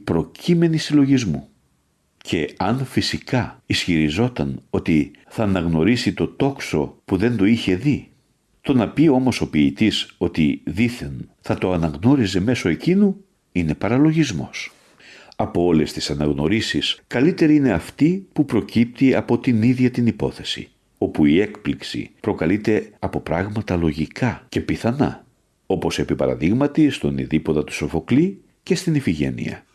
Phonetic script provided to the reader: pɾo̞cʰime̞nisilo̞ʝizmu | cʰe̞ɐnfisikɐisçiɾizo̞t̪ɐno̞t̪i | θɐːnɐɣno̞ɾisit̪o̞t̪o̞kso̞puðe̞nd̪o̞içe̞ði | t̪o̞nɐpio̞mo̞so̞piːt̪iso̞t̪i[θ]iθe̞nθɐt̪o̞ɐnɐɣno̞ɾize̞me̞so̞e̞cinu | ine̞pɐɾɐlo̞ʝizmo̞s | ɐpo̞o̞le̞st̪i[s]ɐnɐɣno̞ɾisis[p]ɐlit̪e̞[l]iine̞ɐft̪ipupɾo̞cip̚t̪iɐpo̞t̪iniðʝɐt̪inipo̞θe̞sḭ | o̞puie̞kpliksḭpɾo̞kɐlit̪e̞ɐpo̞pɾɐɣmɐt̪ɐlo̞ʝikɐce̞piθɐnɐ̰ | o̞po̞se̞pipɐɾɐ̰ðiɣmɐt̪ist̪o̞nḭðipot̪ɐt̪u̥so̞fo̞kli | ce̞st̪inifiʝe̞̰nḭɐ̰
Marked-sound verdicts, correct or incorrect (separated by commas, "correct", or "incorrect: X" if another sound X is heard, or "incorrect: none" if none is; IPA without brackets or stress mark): incorrect: ð, correct, incorrect: k, incorrect: ɾ